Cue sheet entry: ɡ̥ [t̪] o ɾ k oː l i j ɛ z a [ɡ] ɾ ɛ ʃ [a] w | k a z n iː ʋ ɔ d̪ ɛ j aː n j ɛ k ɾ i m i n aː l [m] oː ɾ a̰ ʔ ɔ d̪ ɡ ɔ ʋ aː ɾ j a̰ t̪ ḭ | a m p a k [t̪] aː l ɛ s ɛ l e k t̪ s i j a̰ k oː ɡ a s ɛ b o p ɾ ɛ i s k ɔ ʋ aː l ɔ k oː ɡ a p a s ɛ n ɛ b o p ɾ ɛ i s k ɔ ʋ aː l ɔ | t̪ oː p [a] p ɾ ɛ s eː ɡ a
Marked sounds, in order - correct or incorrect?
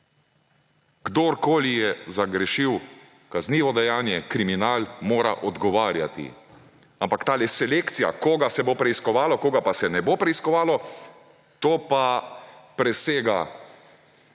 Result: incorrect: d̪, correct, incorrect: i, correct, correct, correct

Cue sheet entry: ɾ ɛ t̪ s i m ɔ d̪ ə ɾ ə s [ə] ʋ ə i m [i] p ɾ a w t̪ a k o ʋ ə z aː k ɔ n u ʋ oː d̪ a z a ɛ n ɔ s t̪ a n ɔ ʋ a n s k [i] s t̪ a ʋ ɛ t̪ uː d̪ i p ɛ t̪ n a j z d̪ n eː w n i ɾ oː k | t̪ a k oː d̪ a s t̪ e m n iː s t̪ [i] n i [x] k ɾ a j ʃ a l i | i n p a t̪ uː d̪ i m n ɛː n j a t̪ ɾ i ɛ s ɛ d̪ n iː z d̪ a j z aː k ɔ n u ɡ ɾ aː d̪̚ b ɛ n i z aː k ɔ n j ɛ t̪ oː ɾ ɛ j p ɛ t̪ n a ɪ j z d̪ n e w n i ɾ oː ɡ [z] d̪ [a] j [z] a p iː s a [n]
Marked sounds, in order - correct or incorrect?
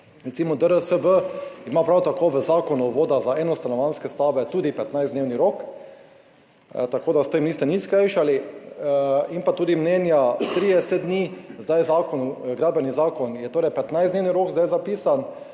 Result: correct, incorrect: a, incorrect: ɛ, incorrect: ɛ, incorrect: s, correct, correct, correct, correct

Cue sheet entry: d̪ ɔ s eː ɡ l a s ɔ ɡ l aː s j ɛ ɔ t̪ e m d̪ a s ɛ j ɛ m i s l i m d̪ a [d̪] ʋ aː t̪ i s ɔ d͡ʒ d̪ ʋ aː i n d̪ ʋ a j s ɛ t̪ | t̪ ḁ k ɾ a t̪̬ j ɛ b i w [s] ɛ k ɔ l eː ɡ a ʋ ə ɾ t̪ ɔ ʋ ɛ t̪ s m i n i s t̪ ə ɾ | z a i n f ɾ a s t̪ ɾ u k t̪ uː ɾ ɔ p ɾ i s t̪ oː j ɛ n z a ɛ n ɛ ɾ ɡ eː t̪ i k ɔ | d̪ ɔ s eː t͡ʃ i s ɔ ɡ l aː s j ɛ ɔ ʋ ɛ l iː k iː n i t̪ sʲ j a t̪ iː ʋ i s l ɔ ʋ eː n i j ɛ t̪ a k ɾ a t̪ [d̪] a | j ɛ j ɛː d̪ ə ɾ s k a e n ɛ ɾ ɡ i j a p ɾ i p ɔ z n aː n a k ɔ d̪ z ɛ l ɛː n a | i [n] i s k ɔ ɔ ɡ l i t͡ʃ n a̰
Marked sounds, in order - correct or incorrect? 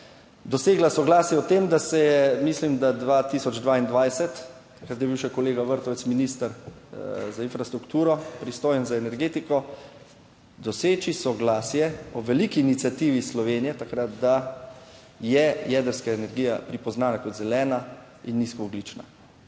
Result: correct, incorrect: ʃ, correct, incorrect: nː

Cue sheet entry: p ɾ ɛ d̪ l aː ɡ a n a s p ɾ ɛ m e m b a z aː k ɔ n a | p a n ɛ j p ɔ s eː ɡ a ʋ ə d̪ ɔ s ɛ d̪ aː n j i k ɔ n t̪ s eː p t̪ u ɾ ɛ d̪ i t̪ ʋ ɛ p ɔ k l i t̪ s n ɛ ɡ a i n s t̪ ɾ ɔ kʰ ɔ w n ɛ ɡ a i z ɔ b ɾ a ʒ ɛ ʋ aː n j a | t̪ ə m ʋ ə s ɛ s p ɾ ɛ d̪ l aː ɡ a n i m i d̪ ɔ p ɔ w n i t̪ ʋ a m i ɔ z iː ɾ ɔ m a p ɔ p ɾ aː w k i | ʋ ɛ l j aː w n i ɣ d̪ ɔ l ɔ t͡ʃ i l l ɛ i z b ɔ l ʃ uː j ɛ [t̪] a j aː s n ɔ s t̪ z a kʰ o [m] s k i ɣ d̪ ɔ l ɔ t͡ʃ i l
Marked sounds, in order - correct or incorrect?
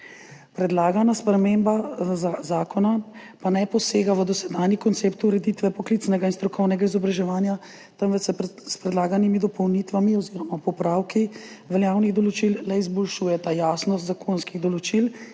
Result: correct, incorrect: n

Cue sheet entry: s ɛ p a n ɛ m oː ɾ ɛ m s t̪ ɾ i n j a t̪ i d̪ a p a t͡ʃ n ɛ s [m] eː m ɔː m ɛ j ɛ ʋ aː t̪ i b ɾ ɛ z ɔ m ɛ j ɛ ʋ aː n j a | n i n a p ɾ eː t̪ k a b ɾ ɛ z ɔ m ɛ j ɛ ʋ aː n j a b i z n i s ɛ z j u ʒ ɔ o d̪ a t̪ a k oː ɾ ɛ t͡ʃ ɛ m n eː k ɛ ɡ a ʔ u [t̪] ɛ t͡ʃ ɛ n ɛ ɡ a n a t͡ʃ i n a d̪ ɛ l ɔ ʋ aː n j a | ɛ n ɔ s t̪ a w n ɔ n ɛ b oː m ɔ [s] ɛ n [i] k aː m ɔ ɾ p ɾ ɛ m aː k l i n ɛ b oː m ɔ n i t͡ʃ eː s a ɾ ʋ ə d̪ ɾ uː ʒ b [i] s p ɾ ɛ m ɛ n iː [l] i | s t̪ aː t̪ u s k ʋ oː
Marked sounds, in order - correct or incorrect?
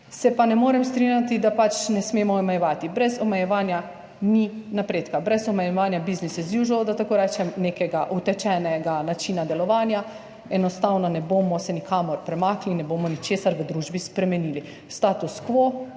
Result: correct, correct, correct, correct, correct, correct

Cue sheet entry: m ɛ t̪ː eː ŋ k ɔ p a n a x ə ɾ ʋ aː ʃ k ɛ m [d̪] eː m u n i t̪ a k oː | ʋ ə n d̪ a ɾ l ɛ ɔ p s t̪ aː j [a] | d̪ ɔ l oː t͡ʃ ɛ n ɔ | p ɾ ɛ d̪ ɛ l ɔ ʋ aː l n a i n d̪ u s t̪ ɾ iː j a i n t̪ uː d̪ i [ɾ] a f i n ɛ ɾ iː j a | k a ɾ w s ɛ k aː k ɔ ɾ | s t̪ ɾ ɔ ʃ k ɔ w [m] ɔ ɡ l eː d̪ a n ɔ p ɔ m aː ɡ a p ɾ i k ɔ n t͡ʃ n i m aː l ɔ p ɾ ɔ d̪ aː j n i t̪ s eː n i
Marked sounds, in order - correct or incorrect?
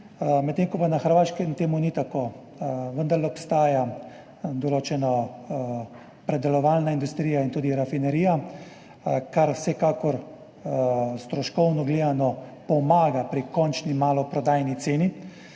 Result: incorrect: t̪, correct, correct, incorrect: n

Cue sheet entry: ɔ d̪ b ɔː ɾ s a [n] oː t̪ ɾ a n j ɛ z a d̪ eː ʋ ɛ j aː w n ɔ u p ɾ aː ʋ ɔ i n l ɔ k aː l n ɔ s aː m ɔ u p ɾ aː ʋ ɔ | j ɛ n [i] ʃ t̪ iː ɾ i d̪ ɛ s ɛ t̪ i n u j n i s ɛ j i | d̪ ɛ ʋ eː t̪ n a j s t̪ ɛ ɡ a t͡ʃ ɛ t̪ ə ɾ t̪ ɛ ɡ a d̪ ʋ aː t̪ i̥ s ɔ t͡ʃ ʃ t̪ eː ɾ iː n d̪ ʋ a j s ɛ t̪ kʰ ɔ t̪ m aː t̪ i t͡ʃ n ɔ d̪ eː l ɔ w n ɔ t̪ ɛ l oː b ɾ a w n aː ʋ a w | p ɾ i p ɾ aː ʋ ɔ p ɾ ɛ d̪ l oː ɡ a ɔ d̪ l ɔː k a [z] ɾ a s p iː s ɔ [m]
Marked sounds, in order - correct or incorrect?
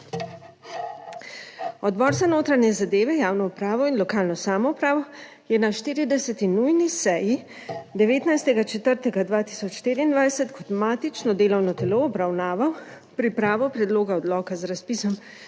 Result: correct, incorrect: a, correct, correct

